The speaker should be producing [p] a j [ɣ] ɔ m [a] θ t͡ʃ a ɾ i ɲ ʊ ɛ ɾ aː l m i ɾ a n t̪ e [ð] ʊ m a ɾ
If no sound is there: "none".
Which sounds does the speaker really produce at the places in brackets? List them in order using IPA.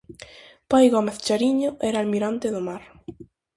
p, ɣ, e, ð

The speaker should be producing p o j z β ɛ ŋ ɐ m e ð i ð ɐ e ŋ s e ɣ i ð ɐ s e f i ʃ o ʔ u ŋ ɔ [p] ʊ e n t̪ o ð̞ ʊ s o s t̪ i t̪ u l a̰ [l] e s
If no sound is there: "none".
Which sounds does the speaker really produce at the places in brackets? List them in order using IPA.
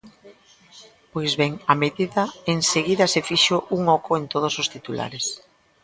k, ɾ

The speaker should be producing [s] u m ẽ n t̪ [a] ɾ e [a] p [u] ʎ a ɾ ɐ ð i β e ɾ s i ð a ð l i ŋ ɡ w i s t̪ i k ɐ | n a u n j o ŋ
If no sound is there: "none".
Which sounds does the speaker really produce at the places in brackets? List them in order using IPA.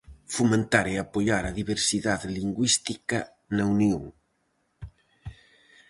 f, a, a, o

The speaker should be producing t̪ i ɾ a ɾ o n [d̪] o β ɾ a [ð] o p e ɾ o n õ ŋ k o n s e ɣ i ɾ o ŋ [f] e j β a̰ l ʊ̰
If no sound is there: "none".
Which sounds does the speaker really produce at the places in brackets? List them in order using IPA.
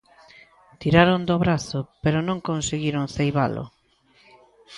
d̪, θ, θ

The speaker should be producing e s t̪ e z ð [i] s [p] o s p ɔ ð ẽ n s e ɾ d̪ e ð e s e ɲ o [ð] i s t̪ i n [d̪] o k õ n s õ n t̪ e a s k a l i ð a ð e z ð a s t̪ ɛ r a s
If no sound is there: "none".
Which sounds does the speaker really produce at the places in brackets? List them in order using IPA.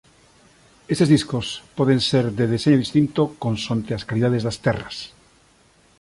i, k, ð, t̪

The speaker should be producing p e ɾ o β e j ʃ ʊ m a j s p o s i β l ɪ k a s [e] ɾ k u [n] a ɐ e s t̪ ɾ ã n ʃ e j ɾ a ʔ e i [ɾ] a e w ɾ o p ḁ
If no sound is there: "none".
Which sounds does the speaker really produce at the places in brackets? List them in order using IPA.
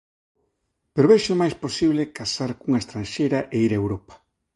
a, ŋ, ɾ

